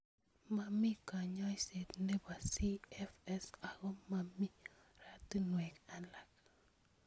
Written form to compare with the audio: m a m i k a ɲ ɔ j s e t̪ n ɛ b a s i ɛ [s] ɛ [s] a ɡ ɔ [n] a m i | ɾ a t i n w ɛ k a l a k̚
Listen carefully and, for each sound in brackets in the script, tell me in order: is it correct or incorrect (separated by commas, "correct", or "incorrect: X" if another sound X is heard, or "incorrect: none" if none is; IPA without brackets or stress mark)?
incorrect: f, correct, incorrect: m